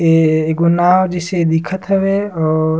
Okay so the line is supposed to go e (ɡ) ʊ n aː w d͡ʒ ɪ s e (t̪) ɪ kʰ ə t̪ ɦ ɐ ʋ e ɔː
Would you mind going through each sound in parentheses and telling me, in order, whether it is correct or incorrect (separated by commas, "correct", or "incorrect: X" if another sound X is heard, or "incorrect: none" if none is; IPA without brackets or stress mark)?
correct, incorrect: d̪